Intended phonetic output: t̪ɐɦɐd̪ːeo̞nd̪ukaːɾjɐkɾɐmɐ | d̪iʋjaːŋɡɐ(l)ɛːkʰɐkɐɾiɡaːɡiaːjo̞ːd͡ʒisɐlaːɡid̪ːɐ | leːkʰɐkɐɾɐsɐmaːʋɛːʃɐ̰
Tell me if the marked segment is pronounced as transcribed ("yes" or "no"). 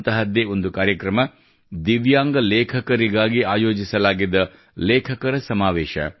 yes